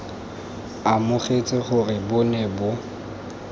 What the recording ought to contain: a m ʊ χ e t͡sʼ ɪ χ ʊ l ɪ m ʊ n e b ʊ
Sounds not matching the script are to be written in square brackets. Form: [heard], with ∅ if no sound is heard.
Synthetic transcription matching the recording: a m ʊ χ e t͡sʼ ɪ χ ʊ [r] ɪ [b] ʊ n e b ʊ

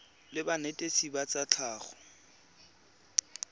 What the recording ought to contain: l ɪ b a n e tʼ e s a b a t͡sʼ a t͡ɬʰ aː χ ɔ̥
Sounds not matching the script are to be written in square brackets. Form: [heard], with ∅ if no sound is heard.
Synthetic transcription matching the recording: l ɪ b a n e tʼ e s [i] b a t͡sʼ a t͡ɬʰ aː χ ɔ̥

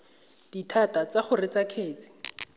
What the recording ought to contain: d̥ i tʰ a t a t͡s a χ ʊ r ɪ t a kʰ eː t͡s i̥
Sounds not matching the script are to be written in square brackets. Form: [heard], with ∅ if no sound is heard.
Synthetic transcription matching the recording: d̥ i tʰ a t a t͡s a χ ʊ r ɪ [t͡s] a kʰ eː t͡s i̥

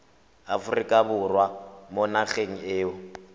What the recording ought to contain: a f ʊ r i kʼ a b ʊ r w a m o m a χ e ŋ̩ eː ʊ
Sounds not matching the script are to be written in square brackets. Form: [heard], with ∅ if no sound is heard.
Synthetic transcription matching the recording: a f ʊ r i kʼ a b ʊ r w a m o [n] a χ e ŋ̩ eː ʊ

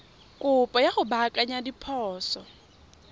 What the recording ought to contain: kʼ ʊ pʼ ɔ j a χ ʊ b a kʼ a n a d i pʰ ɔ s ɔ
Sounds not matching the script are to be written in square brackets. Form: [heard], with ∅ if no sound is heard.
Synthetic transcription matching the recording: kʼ ʊ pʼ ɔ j a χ ʊ b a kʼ a [ɲ] a d i pʰ [ɔː] s ɔ

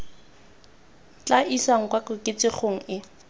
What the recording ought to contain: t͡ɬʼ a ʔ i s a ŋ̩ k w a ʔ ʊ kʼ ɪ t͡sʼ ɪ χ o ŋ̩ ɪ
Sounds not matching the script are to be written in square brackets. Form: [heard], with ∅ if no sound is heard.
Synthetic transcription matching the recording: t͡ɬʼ a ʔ i s a ŋ̩ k w a [k] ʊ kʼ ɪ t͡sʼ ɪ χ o ŋ̩ ɪ

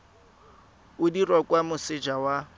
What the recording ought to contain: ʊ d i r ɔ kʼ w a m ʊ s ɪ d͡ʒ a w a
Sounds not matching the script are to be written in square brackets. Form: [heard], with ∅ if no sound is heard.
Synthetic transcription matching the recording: ʊ d i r ɔ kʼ w a m ʊ s ɪ d͡ʒ a w a

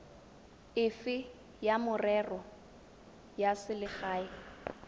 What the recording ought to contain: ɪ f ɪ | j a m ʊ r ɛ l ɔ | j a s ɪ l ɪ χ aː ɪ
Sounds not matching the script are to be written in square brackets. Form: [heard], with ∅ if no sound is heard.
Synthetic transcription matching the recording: ɪ f ɪ | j a m ʊ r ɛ [r] ɔ | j a s ɪ l ɪ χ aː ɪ

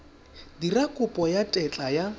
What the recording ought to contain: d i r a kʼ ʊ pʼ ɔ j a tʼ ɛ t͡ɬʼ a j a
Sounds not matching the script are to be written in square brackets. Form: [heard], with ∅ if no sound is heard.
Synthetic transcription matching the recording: d i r a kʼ ʊ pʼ ɔ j a tʼ ɛ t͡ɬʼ a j a

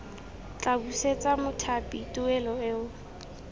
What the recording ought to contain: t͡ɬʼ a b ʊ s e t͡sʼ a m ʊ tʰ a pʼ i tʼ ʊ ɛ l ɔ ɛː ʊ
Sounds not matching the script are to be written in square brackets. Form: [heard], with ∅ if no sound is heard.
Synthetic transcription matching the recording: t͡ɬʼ a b [u] s e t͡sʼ a m ʊ tʰ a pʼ i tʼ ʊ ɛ l ɔ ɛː ʊ

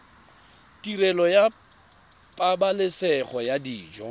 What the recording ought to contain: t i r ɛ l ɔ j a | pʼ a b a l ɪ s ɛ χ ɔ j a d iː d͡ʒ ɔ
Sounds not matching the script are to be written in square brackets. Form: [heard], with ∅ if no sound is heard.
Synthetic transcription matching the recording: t i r ɛ l ɔ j a | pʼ a b a l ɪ s ɛ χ ɔ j a d iː d͡ʒ ɔ

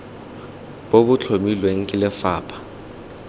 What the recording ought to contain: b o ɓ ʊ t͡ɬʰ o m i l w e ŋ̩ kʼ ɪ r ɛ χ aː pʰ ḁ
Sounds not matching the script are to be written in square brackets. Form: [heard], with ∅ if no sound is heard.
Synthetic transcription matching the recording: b o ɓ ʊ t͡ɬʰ o m i l w e ŋ̩ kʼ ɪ [l] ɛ [f] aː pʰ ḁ

